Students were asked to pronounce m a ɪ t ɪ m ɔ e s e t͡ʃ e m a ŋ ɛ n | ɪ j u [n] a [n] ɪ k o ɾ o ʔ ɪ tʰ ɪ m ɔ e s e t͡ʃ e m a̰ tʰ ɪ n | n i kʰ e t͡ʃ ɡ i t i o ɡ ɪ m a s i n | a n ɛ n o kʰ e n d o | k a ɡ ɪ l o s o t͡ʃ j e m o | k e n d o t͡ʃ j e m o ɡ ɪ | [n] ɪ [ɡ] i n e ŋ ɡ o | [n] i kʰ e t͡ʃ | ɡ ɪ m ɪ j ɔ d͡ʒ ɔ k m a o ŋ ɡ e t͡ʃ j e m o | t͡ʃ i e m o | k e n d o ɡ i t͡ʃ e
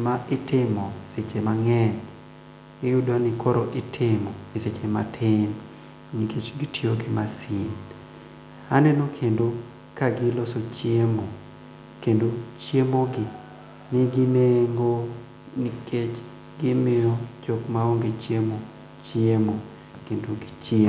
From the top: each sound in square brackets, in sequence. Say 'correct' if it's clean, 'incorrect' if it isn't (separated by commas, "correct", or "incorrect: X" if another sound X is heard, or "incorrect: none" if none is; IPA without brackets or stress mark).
incorrect: d, correct, correct, correct, correct